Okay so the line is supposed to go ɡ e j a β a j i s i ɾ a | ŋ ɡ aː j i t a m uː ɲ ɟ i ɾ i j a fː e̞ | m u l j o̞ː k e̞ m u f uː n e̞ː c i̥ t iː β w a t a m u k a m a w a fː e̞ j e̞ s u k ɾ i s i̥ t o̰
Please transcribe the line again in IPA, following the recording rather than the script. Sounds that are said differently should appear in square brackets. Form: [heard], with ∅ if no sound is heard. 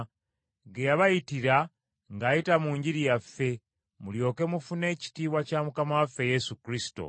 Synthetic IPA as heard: ɡ e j a β a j i [t] i ɾ a | ŋ ɡ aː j i t a m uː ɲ ɟ i ɾ i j a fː e̞ | m u l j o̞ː k e̞ m u f [u] n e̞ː c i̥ t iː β w a [c] a m u k a m a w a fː e̞ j e̞ s u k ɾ i s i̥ t o̰